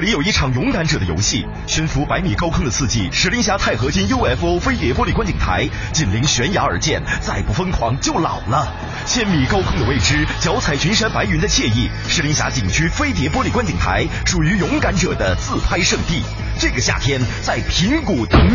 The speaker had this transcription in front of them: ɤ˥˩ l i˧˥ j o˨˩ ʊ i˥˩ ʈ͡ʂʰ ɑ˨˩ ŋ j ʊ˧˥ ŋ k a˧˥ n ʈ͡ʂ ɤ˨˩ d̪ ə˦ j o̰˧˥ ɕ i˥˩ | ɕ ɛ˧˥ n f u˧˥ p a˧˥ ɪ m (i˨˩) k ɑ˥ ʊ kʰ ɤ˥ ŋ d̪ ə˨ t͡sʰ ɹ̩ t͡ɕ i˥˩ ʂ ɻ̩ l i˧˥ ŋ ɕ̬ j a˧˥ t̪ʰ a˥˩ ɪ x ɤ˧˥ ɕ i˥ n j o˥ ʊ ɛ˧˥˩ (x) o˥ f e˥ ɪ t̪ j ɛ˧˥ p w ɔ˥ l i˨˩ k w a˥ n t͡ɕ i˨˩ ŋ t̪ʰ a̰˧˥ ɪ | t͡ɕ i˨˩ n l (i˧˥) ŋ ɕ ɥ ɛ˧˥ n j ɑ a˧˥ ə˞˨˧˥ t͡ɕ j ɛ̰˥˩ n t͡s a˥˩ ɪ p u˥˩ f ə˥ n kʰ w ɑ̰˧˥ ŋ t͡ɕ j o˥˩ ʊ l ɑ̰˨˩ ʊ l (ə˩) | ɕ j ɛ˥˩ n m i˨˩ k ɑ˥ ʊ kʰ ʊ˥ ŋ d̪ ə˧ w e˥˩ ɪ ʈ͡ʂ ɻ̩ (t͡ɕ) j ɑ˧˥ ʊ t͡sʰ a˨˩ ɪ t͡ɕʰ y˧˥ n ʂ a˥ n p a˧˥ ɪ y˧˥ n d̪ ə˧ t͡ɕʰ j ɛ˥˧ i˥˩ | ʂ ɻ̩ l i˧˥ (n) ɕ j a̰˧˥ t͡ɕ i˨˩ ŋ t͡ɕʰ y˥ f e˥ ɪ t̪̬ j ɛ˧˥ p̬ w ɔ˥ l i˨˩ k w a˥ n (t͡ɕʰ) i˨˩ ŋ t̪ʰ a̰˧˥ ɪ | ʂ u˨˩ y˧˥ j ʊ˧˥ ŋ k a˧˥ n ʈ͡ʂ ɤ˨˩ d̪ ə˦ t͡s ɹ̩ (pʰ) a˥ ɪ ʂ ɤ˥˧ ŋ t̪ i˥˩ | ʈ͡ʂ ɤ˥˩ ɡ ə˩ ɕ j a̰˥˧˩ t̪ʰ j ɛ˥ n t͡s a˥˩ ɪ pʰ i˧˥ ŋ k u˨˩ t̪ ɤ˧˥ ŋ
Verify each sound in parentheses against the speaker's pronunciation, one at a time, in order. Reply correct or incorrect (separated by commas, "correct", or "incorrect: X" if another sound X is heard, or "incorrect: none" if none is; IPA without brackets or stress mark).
correct, incorrect: f, correct, incorrect: ə˦, correct, incorrect: ŋ, incorrect: t͡ɕ, correct